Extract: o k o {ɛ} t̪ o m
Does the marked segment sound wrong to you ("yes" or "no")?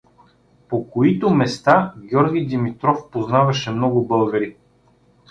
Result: yes